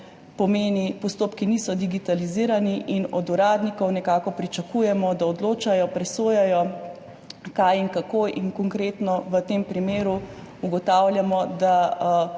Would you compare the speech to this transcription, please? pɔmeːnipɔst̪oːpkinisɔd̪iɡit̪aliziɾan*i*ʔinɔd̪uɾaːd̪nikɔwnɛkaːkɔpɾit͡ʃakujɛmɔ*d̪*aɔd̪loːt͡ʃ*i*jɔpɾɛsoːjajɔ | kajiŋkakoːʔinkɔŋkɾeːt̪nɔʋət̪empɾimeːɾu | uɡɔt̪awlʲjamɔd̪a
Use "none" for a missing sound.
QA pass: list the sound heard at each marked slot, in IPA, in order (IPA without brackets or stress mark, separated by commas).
i, d̪, a